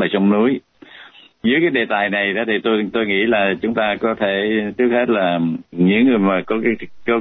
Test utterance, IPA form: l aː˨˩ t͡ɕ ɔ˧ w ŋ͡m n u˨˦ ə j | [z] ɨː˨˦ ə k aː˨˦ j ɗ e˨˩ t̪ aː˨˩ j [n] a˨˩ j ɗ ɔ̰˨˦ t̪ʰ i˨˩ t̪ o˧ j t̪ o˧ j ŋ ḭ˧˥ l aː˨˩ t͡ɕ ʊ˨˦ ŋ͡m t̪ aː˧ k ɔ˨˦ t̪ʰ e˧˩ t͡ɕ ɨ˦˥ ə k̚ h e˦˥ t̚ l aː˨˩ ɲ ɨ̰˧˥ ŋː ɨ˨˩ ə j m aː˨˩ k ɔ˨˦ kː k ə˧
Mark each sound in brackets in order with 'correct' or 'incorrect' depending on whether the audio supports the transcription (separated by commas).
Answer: correct, correct